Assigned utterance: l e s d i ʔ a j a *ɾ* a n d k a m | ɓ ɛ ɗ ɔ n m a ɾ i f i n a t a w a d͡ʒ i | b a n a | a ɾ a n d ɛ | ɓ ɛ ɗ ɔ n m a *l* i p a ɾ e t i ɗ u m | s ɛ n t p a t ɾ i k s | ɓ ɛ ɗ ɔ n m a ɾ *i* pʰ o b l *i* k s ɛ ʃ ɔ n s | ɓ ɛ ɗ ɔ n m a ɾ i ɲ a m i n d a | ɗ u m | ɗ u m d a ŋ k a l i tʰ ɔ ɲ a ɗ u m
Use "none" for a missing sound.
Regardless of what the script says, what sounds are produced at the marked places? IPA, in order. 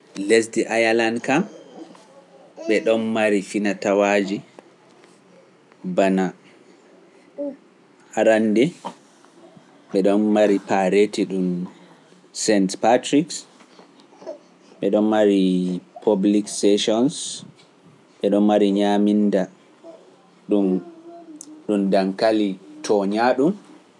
l, ɾ, i, i

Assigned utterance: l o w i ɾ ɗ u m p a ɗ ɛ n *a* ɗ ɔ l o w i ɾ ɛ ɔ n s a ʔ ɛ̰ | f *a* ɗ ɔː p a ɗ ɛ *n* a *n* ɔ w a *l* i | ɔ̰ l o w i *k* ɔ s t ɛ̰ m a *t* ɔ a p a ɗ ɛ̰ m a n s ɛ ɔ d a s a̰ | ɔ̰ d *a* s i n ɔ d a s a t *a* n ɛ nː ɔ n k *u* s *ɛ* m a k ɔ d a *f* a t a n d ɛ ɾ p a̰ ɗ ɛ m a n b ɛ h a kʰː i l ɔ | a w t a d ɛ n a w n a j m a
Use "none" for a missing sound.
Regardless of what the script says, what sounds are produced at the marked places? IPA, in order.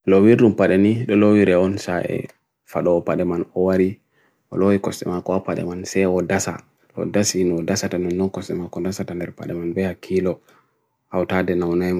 i, a, m, n, ɾ, k, k, a, a, ɔ, ɛ, s

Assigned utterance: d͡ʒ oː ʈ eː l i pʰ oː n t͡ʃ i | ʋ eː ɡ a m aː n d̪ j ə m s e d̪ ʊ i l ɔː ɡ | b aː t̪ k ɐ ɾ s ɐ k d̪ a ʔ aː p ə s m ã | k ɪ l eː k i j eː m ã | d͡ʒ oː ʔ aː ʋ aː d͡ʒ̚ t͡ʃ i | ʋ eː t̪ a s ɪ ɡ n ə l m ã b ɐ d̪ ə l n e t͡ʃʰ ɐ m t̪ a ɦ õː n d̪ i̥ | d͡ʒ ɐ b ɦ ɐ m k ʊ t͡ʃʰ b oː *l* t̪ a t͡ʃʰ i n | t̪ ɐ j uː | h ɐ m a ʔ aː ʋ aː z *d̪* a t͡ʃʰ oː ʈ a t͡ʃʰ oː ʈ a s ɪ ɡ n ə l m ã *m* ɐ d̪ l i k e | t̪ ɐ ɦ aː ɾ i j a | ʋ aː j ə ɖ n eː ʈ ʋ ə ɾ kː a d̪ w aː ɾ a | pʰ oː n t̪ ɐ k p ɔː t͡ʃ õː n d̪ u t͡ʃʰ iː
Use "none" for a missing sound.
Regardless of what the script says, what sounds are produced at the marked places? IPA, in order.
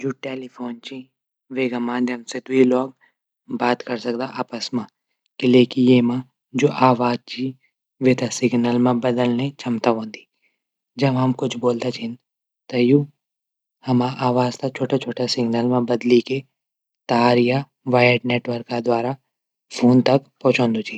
l, t̪, b

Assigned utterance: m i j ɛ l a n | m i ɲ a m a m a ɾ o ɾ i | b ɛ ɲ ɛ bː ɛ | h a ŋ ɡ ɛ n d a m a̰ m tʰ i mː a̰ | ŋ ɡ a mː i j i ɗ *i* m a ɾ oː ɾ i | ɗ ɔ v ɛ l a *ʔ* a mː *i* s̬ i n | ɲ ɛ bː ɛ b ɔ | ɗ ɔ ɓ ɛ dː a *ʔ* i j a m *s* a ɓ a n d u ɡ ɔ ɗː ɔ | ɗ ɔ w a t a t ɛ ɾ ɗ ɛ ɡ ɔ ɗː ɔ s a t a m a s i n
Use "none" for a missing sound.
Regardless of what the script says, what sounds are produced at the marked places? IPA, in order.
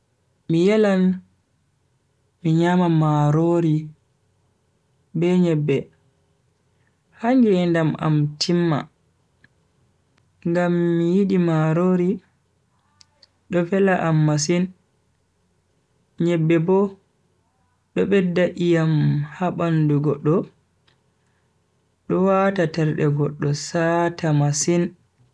i, ʔ, a, ʔ, h

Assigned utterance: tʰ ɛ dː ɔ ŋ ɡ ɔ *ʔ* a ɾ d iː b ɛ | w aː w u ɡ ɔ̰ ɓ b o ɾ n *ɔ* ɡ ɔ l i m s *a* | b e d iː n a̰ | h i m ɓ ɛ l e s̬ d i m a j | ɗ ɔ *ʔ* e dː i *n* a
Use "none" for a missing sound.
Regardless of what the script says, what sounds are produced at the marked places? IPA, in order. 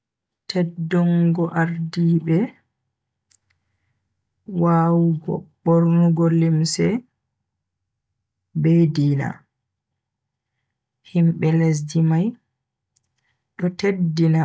ʔ, u, ɛ, t, n

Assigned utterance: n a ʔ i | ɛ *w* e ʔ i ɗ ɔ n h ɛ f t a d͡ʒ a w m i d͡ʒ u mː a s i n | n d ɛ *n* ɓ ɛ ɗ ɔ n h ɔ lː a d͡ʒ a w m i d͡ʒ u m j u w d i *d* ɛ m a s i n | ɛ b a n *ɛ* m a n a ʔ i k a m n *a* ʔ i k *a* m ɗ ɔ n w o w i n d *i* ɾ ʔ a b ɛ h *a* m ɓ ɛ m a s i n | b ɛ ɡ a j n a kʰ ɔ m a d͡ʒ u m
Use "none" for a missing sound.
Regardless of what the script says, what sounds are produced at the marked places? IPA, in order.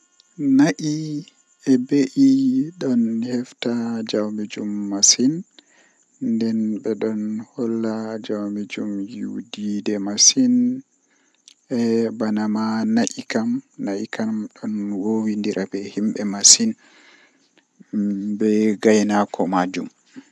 b, n, d, a, a, a, i, i

